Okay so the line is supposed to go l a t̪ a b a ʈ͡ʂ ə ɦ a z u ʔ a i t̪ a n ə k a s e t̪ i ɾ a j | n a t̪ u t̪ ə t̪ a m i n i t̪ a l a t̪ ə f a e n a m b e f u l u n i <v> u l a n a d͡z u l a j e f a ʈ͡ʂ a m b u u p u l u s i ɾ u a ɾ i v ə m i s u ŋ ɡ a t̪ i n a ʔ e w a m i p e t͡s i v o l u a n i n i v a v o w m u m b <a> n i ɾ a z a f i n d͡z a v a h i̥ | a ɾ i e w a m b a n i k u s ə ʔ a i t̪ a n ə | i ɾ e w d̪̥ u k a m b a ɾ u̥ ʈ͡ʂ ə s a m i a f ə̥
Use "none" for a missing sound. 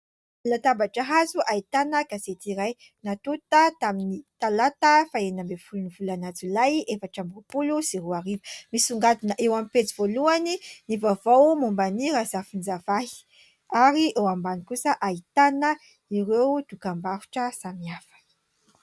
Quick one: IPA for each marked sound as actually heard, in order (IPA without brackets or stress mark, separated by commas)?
v, a